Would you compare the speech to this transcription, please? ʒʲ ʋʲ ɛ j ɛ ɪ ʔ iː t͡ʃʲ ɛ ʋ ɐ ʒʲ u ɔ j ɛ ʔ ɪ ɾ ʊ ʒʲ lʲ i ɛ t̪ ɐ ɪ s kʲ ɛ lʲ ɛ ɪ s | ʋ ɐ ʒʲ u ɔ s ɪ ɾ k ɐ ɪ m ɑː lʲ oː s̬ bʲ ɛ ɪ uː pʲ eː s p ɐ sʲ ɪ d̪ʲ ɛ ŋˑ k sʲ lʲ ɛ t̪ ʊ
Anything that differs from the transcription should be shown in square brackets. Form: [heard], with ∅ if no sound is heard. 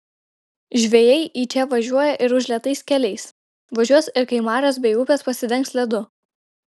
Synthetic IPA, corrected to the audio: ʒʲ ʋʲ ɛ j ɛ ɪ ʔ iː t͡ʃʲ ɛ ʋ ɐ ʒʲ u ɔ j ɛ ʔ ɪ ɾ ʊ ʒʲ lʲ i ɛ t̪ ɐ ɪ s kʲ ɛ lʲ ɛ ɪ s | ʋ ɐ ʒʲ u ɔ s ɪ ɾ k ɐ ɪ m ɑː [ɾʲ] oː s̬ bʲ ɛ ɪ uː pʲ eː s p ɐ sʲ ɪ d̪ʲ ɛ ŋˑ k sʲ lʲ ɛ [d̪] ʊ